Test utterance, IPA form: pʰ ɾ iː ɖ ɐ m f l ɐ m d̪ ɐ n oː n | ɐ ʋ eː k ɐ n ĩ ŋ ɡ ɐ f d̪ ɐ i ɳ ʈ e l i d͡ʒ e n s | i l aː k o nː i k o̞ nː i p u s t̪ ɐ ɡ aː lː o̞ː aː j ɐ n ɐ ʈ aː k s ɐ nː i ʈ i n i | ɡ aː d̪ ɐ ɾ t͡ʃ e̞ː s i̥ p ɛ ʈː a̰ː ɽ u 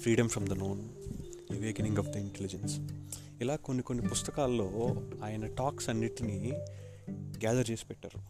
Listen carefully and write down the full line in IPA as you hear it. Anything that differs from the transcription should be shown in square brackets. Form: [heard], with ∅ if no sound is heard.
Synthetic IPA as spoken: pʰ ɾ iː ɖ ɐ m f [ɾ] ɐ m d̪ ɐ n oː n | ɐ ʋ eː k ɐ n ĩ ŋ ɡ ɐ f d̪ ɐ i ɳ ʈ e l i d͡ʒ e n s | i l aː k o nː i k o̞ nː i p u s t̪ ɐ [k] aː lː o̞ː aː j ɐ n ɐ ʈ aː k s ɐ nː i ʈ i n i | ɡ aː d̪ ɐ ɾ t͡ʃ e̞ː s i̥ p ɛ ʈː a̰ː [ɾ] u